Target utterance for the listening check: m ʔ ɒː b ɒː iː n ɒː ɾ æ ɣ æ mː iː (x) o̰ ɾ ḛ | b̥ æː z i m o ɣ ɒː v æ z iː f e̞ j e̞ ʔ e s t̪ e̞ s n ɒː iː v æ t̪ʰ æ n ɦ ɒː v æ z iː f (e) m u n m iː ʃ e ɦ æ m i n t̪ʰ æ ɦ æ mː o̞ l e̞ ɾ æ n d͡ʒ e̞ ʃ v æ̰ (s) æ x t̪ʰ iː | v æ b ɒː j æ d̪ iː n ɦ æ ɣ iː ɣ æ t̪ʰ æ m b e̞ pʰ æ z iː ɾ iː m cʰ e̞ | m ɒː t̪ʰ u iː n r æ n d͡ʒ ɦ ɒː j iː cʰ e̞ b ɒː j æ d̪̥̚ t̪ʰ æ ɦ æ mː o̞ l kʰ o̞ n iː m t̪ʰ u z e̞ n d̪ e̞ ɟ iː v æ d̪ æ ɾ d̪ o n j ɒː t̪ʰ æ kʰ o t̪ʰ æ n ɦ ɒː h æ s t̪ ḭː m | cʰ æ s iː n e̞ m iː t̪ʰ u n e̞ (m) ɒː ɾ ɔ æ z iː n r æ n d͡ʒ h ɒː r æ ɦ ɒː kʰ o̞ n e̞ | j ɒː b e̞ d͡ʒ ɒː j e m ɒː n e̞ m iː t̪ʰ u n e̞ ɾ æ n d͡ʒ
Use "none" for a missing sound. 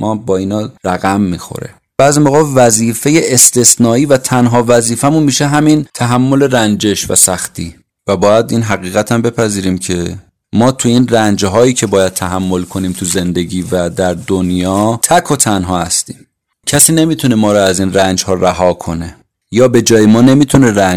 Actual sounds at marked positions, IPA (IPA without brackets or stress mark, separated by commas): x, æ, s, m